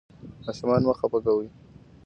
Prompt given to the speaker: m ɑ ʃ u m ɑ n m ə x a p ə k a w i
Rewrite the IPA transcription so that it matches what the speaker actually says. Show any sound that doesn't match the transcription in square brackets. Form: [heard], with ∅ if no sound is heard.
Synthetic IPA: m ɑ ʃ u m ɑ n m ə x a p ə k a w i

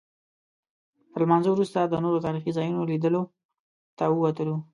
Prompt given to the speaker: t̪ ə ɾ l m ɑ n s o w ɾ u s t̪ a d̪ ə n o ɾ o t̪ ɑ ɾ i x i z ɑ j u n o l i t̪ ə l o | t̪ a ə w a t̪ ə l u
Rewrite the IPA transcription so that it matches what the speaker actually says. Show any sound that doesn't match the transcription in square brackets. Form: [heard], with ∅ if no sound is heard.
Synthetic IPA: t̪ ə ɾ l m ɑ n [z] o w ɾ u s t̪ a d̪ ə n o ɾ o t̪ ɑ ɾ i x i z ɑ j u n o l i [d̪] ə l o | t̪ a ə w a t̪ ə l u

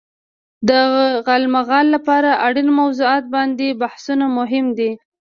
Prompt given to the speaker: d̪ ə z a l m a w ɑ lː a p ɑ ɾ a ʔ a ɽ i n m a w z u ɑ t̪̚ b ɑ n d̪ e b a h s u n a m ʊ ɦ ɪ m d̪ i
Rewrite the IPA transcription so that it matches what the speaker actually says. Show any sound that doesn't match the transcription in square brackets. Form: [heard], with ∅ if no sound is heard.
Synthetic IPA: d̪ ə [ɣ] a l m a [ɣ] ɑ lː a p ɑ ɾ a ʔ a ɽ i n m a w z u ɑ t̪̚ b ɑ n d̪ e b a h s u n a m ʊ ɦ ɪ m d̪ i

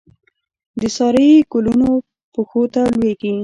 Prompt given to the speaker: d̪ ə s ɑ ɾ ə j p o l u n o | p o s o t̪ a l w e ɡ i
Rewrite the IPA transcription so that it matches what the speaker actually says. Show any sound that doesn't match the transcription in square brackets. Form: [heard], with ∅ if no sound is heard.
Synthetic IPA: d̪ ə s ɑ ɾ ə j [k] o l u n o | p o [x] o t̪ a l w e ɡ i

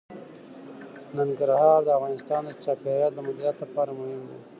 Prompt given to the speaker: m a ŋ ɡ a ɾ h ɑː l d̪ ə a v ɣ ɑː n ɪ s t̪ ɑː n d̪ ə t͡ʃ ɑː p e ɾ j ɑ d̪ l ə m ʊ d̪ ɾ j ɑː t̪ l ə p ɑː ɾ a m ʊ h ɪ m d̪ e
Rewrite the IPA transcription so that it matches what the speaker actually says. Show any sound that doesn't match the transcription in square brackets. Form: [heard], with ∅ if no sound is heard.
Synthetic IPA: [n] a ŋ ɡ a ɾ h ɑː [ɾ] d̪ ə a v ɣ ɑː n ɪ s t̪ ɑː n d̪ ə t͡ʃ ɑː p e ɾ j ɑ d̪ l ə m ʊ d̪ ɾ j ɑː t̪ l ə p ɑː ɾ a m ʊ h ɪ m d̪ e

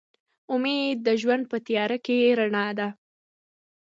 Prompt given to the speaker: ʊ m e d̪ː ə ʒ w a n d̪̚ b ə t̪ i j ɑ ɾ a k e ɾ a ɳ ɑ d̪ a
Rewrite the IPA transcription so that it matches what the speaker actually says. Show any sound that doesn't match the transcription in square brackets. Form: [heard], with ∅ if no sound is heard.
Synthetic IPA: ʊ m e d̪ː ə ʒ w a n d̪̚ [p] ə t̪ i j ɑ ɾ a k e ɾ a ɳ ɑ d̪ a

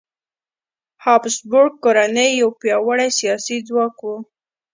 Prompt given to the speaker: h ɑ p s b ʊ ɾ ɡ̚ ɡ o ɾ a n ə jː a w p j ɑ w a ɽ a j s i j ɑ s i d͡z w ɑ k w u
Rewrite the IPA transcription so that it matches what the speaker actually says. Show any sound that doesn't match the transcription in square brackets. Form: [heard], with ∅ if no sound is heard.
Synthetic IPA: h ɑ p s b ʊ ɾ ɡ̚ [k] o ɾ a n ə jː a w p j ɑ w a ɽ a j s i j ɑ s i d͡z w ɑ k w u

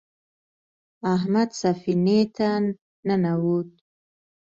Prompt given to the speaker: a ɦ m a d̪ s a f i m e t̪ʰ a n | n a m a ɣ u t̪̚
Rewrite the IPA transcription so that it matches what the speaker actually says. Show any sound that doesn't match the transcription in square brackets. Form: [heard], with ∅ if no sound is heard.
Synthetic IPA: a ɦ m a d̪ s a f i [n] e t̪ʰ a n | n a [n] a [w] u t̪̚

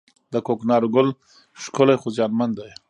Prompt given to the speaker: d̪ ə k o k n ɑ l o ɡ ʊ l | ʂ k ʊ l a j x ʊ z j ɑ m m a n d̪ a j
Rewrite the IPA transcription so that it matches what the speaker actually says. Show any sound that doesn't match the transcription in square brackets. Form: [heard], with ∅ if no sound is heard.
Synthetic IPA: d̪ ə k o k n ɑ [ɾ] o ɡ ʊ l | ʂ k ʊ l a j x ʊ z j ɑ [n] m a n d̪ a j

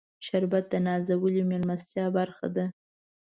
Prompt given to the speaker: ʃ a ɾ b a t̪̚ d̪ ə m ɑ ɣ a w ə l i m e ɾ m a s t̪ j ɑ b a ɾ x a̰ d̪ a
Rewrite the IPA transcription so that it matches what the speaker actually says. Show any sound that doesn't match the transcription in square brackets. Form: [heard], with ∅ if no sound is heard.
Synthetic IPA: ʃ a ɾ b a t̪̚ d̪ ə [n] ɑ [z] a w ə l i m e [l] m a s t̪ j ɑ b a ɾ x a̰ d̪ a

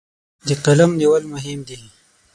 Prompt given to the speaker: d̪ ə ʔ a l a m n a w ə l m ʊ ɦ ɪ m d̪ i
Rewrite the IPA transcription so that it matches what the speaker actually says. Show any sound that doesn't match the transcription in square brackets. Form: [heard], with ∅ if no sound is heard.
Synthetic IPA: d̪ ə [q] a l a m n [i] w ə l m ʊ ɦ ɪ m d̪ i

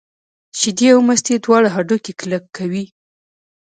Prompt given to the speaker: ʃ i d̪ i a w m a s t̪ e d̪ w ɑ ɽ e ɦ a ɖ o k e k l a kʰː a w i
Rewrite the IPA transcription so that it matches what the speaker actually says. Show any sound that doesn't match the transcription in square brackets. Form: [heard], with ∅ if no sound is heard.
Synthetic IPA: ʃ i d̪ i a w m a s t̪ e d̪ w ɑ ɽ [a] ɦ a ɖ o k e k l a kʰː a w i

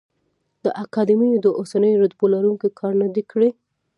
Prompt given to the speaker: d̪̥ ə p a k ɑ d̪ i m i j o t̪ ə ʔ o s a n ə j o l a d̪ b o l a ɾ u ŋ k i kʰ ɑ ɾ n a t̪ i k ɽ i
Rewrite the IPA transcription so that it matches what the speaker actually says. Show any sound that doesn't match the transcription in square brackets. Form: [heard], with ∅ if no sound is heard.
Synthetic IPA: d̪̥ ə [ʔ] a k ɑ d̪ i m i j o [d̪] ə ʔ o s a n ə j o [ɾ] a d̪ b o l a ɾ u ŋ k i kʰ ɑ ɾ n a [d̪] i k ɽ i

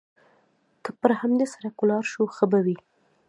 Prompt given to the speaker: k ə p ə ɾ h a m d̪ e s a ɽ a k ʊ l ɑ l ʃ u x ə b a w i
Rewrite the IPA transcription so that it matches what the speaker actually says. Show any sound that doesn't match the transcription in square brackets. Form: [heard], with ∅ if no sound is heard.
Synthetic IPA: k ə p ə ɾ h a m d̪ e s a [ɾ] a k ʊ l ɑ [ɾ] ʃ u x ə b a w i

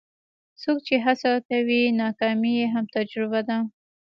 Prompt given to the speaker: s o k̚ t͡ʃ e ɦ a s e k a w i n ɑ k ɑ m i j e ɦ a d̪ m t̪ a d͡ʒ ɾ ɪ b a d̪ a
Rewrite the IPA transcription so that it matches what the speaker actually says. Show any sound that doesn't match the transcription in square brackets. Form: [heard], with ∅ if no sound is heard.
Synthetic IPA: s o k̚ t͡ʃ e ɦ a s [a] k a w i n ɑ k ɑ m i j e ɦ a [∅] m t̪ a d͡ʒ ɾ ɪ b a d̪ a

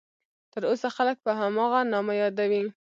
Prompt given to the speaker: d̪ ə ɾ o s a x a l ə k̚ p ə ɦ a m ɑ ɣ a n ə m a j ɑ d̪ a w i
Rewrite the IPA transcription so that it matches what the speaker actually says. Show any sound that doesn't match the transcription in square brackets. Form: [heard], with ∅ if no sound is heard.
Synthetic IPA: [t̪] ə ɾ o s a x a l ə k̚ p ə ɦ a m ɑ ɣ a n [ɑ] m a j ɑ d̪ a w i

